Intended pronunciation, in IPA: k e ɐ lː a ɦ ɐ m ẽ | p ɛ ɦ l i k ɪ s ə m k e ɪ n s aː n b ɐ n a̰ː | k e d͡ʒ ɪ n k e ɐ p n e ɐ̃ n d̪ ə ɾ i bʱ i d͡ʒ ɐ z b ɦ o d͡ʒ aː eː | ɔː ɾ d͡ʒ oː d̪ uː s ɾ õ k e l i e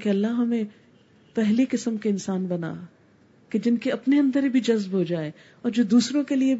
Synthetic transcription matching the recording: k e ɐ lː a ɦ ɐ m ẽ | p ɛ ɦ l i k ɪ s ə m k e ɪ n s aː n b ɐ n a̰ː | k e d͡ʒ ɪ n k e ɐ p n e ɐ̃ n d̪ ə ɾ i bʱ i d͡ʒ ɐ z b ɦ o d͡ʒ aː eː | ɔː ɾ d͡ʒ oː d̪ uː s ɾ õ k e l i e